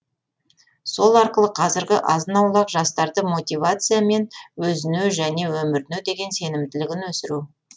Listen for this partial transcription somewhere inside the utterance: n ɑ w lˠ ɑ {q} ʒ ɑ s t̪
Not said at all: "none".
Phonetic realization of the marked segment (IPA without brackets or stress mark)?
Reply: q